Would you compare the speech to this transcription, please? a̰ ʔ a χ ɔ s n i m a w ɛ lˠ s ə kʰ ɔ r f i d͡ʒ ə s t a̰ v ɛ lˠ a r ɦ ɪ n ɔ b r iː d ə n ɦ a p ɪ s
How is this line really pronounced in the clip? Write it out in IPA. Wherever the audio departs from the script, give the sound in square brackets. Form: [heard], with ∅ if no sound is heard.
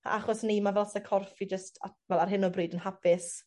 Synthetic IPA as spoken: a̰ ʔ a χ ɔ s n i m a [v] ɛ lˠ s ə kʰ ɔ r f i d͡ʒ ə s t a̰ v ɛ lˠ a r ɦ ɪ n ɔ b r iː d ə n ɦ a p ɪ s